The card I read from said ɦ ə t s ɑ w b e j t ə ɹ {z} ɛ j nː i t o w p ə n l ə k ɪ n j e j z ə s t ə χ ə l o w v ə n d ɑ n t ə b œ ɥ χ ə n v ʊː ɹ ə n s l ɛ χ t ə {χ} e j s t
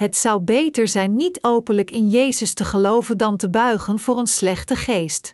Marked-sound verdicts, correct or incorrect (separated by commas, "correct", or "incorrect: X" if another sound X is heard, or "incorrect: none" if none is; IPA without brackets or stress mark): correct, correct